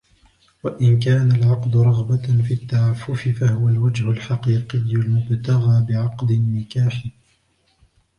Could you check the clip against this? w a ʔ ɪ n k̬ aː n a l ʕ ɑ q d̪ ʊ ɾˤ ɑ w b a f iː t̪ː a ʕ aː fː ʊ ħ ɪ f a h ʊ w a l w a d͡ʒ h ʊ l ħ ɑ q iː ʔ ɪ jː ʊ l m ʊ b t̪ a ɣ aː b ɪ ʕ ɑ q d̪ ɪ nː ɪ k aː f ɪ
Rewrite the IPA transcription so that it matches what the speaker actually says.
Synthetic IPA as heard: w a ʔ ɪ n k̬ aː n a l ʕ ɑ q d̪ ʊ ɾˤ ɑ ɣ b a f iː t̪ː a ʕ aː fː ʊ f ɪ f a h ʊ w a l w a d͡ʒ h ʊ l ħ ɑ q iː q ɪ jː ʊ l m ʊ b t̪ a ɣ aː b ɪ ʕ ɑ q d̪ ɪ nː ɪ k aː ħ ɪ